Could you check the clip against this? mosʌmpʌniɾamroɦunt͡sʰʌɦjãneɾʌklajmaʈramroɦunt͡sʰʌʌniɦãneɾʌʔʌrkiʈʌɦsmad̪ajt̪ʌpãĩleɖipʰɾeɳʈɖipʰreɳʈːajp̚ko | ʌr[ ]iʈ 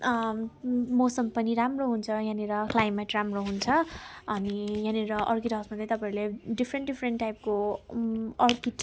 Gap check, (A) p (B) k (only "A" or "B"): B